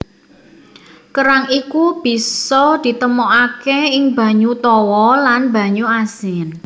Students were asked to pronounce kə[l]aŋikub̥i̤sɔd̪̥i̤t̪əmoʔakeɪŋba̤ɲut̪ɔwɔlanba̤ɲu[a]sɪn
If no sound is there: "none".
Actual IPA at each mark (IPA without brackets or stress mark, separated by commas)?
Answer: ɾ, a